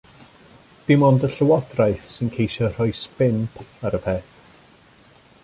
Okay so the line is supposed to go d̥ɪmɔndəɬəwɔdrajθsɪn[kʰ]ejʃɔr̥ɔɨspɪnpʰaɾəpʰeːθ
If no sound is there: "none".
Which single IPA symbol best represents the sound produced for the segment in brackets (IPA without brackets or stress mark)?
kʰ